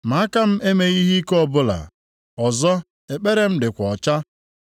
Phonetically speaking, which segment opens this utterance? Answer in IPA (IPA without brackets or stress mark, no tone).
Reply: m